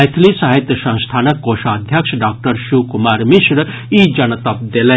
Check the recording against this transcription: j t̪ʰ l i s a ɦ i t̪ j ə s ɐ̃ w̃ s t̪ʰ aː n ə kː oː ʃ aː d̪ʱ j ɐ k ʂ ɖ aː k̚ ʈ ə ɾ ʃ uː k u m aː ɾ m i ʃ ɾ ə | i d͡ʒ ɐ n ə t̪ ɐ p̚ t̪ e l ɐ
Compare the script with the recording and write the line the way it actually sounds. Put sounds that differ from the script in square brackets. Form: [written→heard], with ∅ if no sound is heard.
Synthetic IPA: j t̪ʰ l i s a ɦ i t̪ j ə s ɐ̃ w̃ s t̪ʰ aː n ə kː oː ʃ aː d̪ʱ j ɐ k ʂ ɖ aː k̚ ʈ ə ɾ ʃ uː k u m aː ɾ m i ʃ ɾ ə | i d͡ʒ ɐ n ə t̪ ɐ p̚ [t̪→d̪] e l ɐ